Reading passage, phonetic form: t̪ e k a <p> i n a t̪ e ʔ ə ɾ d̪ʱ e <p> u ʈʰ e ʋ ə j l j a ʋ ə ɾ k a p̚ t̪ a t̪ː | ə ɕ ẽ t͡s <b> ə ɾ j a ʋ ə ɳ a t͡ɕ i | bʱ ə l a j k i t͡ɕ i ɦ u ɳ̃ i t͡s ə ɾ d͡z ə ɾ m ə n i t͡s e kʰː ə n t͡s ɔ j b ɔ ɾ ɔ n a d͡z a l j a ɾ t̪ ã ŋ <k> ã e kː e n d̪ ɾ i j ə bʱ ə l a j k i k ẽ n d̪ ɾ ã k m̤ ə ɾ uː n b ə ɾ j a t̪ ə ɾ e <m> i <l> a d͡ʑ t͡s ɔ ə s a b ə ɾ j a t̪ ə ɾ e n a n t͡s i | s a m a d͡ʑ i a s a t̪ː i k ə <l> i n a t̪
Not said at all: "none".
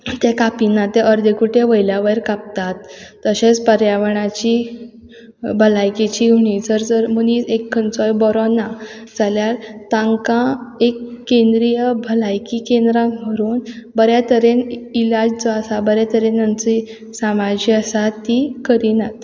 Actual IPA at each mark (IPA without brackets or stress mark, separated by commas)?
p, k, p, k, n, l, ɾ